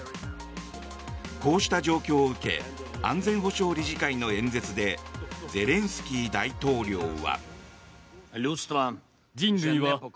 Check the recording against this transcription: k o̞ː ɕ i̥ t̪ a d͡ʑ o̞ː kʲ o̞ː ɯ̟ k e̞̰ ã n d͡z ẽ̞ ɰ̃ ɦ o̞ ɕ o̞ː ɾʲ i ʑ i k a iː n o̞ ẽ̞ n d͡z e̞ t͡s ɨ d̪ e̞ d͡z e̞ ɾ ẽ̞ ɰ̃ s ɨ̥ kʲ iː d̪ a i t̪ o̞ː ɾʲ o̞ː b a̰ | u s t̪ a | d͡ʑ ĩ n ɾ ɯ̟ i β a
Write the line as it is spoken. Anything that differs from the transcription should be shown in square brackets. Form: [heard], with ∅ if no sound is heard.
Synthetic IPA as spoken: k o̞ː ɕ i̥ t̪ a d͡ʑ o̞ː kʲ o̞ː ɯ̟ k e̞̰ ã n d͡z ẽ̞ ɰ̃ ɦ o̞ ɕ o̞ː ɾʲ i ʑ i k a [i] n o̞ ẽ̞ n d͡z e̞ t͡s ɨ d̪ e̞ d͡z e̞ ɾ ẽ̞ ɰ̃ s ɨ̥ kʲ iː d̪ a i t̪ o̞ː ɾʲ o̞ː [β] a̰ | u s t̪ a | d͡ʑ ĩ n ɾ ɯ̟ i β a